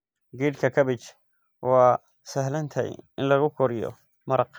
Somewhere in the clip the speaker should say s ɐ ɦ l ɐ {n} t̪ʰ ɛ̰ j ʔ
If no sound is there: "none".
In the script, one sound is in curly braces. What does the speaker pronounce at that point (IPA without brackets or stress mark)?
n